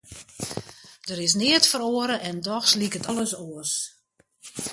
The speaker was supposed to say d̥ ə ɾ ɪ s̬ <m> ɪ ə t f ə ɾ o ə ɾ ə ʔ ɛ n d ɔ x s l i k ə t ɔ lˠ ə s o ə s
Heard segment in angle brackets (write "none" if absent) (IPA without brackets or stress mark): n